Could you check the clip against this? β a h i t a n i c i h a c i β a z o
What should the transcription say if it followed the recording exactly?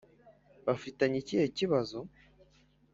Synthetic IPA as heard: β a f i t a ɲ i c i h e c i β a z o